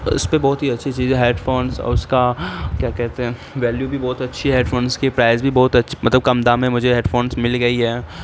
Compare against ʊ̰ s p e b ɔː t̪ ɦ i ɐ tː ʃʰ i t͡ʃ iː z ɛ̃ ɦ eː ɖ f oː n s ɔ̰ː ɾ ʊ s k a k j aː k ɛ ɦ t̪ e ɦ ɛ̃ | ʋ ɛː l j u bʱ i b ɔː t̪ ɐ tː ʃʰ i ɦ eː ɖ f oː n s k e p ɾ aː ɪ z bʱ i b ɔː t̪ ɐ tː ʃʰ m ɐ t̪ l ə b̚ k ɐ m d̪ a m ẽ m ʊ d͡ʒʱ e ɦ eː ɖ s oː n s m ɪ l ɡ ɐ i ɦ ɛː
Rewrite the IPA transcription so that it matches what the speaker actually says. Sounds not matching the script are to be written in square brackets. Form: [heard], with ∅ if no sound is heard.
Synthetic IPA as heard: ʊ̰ s p e b ɔː t̪ ɦ i ɐ tː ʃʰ i t͡ʃ iː z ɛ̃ ɦ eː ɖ f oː n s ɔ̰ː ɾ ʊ s k a k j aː k ɛ ɦ t̪ e ɦ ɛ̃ | ʋ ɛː l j u bʱ i b ɔː t̪ ɐ tː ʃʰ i ɦ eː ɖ f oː n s k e p ɾ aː ɪ z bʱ i b ɔː t̪ ɐ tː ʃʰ m ɐ t̪ l ə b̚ k ɐ m d̪ a m ẽ m ʊ d͡ʒʱ e ɦ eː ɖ [f] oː n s m ɪ l ɡ ɐ i ɦ ɛː